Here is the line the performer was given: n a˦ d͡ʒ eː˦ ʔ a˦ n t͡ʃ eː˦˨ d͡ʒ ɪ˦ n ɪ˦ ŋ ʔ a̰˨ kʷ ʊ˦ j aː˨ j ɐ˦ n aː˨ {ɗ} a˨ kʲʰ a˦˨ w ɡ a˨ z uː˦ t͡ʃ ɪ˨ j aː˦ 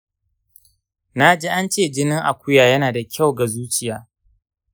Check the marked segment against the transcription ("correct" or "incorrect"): incorrect